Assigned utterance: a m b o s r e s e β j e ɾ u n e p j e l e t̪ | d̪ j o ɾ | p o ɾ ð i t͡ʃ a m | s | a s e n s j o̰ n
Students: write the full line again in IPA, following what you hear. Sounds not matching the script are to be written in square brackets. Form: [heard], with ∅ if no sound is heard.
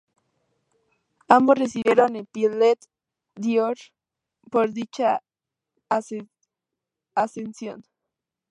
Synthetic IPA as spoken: a m b o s r e s [i] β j e ɾ [o] n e p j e l e t̪ | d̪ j o ɾ | p o ɾ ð i t͡ʃ a [∅] | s | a s e n s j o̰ n